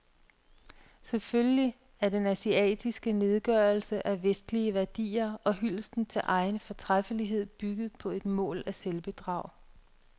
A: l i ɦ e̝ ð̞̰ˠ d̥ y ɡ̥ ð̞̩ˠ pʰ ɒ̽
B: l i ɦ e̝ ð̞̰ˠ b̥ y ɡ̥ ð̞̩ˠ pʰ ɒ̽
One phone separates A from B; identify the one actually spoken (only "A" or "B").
B